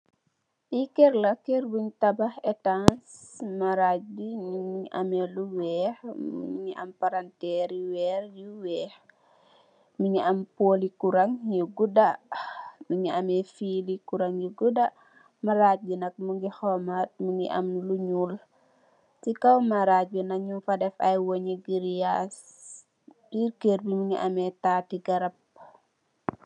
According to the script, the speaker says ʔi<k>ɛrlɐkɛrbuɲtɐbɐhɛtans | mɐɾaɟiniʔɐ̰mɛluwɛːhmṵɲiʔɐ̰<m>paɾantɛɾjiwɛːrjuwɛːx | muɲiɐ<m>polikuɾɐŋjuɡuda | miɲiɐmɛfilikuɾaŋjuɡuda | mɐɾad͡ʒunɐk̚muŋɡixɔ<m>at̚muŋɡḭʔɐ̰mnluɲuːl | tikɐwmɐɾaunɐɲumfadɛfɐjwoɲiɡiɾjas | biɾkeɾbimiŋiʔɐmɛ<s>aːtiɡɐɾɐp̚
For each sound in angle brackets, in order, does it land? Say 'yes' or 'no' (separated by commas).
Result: yes, yes, yes, yes, no